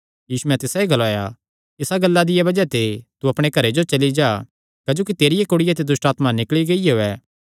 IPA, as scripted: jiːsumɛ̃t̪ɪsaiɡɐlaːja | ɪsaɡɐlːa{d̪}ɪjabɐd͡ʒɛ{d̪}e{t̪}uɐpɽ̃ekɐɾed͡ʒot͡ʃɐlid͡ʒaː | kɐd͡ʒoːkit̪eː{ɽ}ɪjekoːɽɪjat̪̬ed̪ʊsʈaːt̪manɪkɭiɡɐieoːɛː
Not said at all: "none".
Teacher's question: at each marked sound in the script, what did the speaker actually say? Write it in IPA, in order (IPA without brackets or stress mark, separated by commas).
d̪, t̪, t̪, ɾ